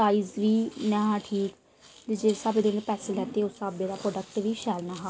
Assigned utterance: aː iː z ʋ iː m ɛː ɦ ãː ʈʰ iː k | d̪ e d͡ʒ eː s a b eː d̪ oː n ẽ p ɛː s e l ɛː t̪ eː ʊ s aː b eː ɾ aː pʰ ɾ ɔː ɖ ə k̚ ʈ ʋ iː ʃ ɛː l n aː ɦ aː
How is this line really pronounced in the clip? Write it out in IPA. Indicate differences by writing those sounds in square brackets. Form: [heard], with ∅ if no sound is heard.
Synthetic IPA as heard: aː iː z ʋ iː [n] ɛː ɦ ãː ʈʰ iː k | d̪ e d͡ʒ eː s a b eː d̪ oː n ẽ p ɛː s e l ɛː t̪ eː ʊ s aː b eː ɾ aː [p] ɾ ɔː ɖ ə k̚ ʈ ʋ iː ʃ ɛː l n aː ɦ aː